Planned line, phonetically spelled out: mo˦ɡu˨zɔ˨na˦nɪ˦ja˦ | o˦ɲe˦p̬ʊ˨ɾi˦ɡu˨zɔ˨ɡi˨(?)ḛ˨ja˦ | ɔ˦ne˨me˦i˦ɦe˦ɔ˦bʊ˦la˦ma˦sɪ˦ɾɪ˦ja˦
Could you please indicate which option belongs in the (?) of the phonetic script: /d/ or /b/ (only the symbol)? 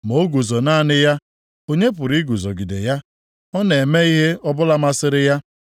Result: d